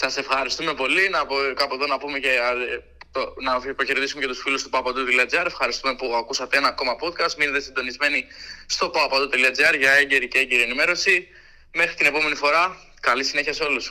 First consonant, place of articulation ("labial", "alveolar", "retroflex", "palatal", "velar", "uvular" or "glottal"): alveolar